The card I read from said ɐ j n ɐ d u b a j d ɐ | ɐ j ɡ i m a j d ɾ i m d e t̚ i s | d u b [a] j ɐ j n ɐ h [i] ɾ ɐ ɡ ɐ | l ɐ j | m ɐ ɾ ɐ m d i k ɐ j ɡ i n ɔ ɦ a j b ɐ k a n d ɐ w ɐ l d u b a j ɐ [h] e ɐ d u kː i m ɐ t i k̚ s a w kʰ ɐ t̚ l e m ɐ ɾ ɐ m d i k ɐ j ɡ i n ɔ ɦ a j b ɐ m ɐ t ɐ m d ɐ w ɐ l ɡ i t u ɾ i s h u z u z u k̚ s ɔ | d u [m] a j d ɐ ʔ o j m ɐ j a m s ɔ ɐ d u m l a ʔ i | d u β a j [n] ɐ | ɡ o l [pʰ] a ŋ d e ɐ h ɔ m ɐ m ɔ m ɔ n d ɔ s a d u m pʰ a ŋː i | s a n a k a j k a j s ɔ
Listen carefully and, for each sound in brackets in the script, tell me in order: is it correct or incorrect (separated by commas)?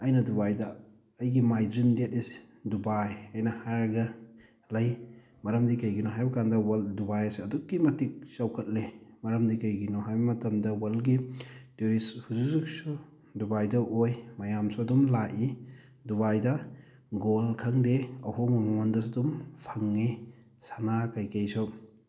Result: correct, incorrect, incorrect, incorrect, incorrect, incorrect